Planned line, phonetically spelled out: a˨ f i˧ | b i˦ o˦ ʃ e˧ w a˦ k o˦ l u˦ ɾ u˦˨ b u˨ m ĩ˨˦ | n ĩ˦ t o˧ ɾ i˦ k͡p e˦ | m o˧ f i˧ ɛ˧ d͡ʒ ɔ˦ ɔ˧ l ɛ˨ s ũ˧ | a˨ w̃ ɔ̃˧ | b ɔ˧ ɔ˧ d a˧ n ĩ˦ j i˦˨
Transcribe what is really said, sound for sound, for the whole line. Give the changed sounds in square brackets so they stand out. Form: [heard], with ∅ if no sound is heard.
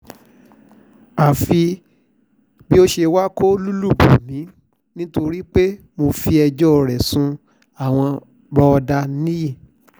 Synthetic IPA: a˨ f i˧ | b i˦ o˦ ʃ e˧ w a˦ k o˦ l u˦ [l] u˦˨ b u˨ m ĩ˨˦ | n ĩ˦ t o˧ ɾ i˦ k͡p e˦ | m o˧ f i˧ ɛ˧ d͡ʒ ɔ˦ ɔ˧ [ɾ] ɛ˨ s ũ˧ | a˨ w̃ ɔ̃˧ | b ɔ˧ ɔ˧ d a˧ n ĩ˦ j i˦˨